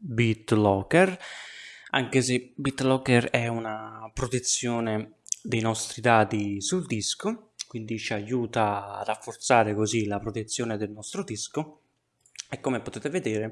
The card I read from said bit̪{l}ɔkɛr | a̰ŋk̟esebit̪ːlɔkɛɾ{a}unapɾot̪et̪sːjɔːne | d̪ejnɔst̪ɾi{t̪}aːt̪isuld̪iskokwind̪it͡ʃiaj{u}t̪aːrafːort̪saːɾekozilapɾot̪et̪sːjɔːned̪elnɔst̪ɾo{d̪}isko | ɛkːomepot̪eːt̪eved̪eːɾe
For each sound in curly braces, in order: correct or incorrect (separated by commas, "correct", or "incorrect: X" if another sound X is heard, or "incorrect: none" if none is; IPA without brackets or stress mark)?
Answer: correct, incorrect: ɛ, incorrect: d̪, incorrect: uː, correct